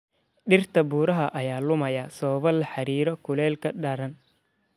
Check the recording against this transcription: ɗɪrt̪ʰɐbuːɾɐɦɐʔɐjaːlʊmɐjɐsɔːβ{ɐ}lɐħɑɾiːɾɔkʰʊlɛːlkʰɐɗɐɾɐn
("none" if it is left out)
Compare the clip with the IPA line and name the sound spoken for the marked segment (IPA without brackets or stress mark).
ɐ